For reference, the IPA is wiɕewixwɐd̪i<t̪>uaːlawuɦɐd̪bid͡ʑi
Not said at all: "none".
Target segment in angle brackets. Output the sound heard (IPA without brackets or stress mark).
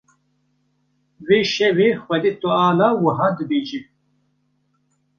t̪